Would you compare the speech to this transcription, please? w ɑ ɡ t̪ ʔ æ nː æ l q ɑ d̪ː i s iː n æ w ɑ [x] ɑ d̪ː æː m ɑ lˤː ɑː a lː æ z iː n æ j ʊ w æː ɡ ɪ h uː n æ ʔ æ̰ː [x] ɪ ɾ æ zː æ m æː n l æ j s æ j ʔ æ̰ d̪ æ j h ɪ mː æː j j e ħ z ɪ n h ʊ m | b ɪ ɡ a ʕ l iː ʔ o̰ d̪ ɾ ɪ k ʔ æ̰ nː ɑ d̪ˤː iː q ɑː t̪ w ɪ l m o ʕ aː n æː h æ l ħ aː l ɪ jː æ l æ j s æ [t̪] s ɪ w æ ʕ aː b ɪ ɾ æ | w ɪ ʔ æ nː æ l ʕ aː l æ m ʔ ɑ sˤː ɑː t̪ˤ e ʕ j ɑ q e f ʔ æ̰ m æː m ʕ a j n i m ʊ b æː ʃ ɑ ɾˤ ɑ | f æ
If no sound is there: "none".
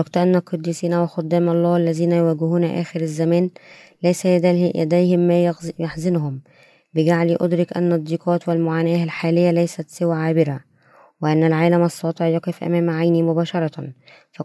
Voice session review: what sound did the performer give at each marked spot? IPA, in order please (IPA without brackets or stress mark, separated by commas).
x, x, t̪